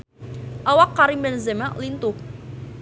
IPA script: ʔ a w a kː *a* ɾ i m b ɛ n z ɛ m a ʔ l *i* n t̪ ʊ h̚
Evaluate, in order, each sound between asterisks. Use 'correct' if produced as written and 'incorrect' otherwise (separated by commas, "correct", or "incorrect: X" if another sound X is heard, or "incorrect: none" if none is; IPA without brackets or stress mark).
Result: correct, correct